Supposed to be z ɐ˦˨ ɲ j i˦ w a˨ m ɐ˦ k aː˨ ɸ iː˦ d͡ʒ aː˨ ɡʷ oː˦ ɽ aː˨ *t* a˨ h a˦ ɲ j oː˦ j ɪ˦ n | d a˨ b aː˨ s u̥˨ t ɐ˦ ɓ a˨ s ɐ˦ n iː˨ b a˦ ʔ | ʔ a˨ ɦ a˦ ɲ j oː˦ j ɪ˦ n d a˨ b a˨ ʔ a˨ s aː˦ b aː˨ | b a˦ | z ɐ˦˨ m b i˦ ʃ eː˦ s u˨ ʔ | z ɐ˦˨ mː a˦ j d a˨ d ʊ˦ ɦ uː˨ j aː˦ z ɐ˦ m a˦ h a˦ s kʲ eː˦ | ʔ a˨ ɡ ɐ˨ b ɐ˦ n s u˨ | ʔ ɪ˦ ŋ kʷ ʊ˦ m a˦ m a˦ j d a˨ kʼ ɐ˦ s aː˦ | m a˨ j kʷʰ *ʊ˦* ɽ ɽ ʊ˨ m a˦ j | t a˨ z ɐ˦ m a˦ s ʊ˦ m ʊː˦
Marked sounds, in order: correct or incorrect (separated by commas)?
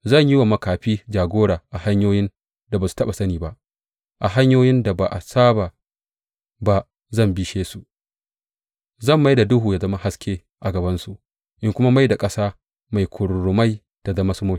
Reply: incorrect, incorrect